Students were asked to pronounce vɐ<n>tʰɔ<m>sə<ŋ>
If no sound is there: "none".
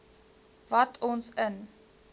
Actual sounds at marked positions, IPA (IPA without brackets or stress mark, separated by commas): none, n, n